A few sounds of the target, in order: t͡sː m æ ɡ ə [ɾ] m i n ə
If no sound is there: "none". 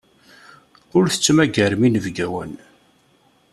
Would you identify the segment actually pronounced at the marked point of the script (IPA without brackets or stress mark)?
ɾ